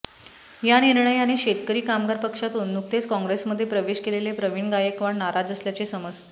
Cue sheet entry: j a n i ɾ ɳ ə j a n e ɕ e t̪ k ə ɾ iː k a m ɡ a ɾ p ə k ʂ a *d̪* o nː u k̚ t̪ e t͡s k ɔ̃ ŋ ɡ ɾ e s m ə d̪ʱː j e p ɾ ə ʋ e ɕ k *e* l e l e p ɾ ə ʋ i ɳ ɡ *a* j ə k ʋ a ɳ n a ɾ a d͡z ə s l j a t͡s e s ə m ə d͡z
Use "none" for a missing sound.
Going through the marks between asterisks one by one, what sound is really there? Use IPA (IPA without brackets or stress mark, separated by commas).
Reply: t̪, e, a